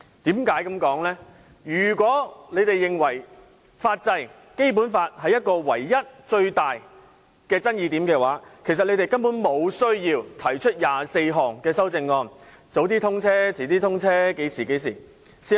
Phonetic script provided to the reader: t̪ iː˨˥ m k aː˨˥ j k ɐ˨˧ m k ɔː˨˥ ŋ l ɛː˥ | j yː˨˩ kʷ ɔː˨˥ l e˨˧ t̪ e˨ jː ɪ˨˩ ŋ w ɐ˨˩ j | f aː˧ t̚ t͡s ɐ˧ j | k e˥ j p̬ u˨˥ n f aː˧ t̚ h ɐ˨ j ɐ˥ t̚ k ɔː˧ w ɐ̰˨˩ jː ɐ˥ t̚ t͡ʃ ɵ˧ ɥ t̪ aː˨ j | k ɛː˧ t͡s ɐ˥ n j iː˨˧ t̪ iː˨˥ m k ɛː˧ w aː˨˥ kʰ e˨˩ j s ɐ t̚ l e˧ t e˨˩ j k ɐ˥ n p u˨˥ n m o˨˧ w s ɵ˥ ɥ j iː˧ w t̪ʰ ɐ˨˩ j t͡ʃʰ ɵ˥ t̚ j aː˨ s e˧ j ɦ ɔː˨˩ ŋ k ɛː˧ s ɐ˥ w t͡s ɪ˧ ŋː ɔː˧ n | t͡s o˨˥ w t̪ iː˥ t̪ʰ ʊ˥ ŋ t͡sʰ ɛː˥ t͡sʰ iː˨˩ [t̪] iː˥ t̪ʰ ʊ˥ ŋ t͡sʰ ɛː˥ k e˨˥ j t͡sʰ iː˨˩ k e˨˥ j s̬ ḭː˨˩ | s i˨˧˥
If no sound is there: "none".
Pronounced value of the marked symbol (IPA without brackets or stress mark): t̪